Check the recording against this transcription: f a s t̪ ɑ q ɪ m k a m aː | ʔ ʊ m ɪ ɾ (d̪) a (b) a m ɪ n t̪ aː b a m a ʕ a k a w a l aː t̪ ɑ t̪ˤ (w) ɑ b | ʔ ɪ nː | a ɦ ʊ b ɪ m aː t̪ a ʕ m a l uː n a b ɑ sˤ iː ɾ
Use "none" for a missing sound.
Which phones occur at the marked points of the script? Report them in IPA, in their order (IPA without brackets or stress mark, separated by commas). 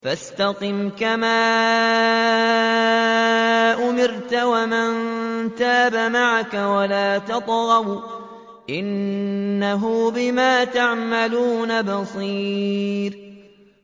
t̪, w, ɣ